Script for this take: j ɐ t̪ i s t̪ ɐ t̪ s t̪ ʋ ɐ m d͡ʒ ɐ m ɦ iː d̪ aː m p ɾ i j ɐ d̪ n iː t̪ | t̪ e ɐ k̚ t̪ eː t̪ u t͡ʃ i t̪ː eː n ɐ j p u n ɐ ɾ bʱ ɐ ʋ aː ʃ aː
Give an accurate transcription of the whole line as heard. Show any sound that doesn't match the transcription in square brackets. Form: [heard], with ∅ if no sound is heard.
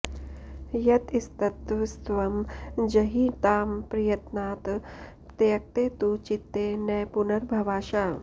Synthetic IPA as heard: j ɐ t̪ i s t̪ ɐ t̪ s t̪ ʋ ɐ m d͡ʒ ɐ [∅] ɦ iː [t̪] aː m p ɾ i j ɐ [t̪] n [aː] t̪ | t̪ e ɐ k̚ t̪ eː t̪ u t͡ʃ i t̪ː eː n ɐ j p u n ɐ ɾ bʱ ɐ ʋ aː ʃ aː